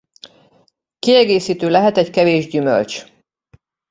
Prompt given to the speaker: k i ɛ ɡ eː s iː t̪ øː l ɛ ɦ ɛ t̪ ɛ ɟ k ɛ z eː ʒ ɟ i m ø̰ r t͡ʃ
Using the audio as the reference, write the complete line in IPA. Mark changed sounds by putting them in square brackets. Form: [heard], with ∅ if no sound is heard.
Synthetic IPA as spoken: k i ɛ ɡ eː s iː t̪ øː l ɛ ɦ ɛ t̪ ɛ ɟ k ɛ [v] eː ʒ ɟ [y] m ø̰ [l] t͡ʃ